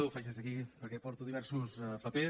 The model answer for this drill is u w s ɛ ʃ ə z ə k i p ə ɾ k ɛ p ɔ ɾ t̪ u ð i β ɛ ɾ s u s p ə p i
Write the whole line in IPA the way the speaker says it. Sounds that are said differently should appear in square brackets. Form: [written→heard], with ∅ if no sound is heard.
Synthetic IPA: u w [s→f] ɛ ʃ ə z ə k i p ə ɾ k ɛ p ɔ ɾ t̪ u ð i β ɛ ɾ s u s p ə p [i→e]